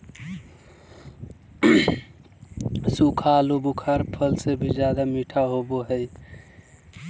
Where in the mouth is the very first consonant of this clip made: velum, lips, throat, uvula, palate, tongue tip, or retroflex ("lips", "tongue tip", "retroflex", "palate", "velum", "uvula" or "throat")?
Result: tongue tip